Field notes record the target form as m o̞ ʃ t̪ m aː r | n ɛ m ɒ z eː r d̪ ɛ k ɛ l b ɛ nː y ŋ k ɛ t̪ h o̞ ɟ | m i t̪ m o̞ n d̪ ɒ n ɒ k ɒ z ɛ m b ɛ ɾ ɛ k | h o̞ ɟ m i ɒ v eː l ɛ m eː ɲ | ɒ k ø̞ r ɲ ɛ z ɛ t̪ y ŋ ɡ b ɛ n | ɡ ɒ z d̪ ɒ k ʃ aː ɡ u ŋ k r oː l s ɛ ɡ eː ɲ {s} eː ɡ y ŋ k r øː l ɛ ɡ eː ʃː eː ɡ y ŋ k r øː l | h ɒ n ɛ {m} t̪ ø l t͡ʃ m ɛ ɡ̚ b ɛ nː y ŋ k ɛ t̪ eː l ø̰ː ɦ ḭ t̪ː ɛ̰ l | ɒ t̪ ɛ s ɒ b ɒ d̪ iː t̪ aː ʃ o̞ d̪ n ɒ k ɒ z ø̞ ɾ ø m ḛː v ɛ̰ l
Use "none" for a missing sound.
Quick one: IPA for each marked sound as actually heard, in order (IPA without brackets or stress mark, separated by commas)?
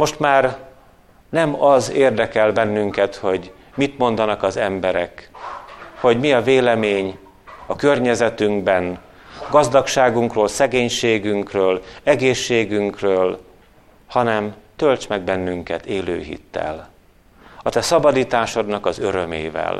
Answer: ʃ, m